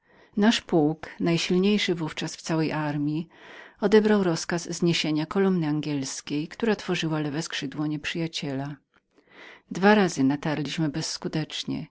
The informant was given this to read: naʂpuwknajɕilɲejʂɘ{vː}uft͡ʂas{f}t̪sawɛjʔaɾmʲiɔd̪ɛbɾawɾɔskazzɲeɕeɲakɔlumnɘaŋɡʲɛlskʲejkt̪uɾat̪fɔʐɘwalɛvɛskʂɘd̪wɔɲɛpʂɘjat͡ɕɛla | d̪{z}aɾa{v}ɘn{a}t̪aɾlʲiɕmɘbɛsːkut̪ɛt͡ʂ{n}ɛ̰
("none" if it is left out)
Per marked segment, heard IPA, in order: v, f, v, z, a, ɲ

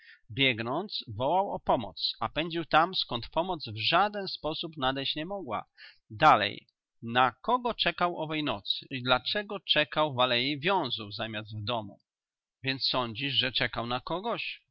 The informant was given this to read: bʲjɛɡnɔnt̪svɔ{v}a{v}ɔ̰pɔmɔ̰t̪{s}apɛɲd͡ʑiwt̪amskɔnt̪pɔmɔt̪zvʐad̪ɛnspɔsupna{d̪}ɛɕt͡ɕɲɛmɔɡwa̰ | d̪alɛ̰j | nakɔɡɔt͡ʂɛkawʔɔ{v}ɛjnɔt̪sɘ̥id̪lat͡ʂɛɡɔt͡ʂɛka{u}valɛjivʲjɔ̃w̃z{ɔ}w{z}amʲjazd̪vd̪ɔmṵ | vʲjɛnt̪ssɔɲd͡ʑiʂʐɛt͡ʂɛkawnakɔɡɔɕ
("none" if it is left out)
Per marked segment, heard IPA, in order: w, w, s, d̪, v, w, u, z

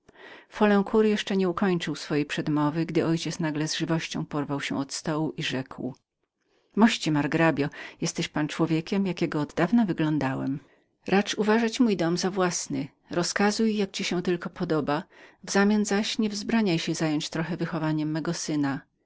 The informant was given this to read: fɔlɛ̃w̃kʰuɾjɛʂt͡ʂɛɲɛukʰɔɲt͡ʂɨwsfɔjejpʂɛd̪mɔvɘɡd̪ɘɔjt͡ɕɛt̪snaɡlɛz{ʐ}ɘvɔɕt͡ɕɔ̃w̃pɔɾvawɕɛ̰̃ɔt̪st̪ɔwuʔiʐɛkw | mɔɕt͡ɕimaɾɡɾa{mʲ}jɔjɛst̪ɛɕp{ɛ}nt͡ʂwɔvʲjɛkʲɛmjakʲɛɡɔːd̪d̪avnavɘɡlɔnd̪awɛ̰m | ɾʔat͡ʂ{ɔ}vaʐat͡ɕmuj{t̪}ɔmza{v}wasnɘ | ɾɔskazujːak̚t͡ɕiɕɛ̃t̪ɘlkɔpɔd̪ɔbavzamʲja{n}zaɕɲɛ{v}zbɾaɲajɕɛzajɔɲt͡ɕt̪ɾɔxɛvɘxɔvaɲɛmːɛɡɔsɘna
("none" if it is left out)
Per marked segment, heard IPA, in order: ʐ, bʲ, a, u, d̪, v, n, v

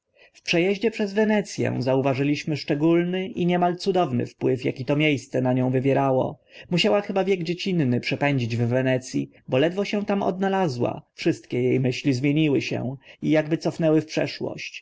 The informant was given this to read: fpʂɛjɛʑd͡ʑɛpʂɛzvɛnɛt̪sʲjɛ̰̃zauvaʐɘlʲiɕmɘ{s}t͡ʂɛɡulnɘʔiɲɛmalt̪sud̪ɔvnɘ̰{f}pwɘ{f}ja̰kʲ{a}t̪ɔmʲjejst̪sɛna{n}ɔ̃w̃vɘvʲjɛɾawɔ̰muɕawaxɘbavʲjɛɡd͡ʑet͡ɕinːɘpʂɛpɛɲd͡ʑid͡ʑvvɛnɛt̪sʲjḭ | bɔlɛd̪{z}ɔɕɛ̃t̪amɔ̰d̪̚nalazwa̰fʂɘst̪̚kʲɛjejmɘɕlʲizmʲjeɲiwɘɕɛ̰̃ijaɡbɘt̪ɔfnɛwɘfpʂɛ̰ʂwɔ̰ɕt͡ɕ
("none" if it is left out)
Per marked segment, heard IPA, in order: ʂ, f, f, i, ɲ, v

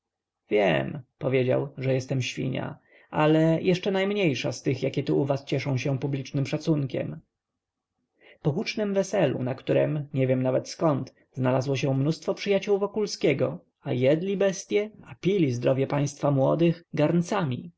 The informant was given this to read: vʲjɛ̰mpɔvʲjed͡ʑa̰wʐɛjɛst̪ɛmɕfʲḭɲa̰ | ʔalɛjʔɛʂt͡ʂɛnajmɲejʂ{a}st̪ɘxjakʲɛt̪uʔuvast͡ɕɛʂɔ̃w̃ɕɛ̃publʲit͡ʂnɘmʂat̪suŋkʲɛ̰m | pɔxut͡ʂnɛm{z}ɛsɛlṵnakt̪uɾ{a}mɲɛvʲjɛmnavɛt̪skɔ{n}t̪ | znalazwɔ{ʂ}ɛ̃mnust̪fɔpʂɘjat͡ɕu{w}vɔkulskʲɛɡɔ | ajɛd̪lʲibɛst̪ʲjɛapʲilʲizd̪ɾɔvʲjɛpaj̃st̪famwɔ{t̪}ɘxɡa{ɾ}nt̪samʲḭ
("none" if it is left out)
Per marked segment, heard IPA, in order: a, v, ɛ, n, ɕ, w, d̪, ɾ

